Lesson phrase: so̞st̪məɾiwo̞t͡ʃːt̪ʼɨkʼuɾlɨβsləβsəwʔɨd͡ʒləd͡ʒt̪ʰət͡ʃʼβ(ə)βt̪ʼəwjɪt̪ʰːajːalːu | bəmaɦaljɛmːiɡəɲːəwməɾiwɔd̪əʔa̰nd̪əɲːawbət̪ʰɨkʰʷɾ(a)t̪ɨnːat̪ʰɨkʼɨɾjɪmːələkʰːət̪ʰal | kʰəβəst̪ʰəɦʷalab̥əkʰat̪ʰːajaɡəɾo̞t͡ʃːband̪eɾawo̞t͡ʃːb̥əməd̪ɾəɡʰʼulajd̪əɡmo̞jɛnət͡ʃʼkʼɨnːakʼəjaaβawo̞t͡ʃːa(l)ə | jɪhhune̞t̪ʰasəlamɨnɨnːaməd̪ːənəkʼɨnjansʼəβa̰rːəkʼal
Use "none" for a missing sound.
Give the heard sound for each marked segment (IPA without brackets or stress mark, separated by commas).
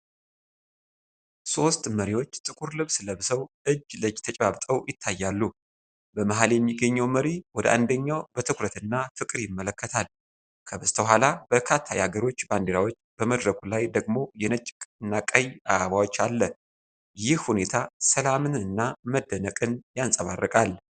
a, ə, lː